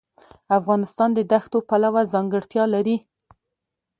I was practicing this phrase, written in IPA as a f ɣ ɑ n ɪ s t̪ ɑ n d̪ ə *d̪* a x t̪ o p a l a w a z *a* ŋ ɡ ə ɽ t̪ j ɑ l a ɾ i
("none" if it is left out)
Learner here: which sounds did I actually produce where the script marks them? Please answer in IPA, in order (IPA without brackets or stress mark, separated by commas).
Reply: d̪, ɑ